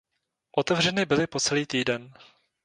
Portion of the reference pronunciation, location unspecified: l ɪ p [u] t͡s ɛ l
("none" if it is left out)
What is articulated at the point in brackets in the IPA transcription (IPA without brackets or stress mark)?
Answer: o